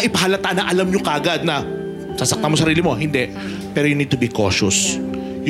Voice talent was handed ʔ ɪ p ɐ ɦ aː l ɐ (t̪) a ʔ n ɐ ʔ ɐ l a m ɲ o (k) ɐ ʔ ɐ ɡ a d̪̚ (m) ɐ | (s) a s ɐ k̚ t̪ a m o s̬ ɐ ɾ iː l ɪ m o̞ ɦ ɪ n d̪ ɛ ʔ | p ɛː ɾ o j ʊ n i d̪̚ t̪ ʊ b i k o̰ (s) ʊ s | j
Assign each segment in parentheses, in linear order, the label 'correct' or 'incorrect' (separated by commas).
correct, correct, incorrect, correct, incorrect